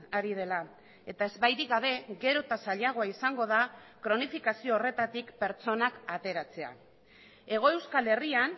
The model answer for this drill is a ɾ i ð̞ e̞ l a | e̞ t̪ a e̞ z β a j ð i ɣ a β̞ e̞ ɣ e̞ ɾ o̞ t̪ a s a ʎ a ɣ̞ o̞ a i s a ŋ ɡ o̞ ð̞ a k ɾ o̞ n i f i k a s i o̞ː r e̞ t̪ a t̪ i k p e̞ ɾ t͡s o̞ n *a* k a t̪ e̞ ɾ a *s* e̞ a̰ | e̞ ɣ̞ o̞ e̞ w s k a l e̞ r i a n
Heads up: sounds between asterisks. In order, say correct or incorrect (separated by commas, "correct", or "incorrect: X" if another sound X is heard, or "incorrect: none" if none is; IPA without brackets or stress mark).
correct, incorrect: t͡s